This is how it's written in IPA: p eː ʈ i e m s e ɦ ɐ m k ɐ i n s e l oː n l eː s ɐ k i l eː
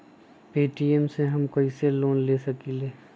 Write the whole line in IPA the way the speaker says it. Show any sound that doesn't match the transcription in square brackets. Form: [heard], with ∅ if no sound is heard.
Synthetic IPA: p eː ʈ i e m s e ɦ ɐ m k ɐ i [∅] s e l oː n l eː s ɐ k i l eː